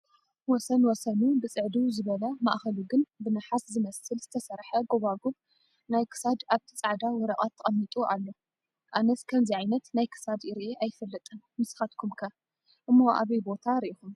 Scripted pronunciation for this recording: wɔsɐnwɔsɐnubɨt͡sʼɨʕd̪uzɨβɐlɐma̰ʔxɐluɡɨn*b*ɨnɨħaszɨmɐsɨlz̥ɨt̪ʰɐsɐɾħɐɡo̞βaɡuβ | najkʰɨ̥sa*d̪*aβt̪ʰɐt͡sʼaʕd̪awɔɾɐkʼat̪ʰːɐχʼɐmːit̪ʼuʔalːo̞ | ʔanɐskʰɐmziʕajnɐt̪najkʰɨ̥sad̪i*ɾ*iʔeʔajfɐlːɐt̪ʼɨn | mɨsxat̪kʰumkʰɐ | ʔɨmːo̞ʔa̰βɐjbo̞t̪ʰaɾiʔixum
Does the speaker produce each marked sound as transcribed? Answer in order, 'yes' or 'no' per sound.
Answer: yes, yes, yes

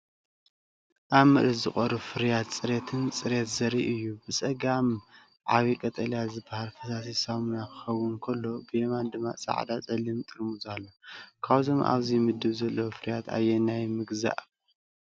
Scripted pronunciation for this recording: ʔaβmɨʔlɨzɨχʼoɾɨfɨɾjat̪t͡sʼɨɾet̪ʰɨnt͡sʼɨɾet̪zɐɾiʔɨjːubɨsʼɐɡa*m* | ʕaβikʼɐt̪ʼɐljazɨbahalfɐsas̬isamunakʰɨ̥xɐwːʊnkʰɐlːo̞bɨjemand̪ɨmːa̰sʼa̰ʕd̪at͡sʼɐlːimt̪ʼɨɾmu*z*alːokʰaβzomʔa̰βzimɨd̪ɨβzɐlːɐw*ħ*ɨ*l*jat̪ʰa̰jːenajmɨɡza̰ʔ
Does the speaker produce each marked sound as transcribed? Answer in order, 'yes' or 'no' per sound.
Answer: yes, yes, no, no

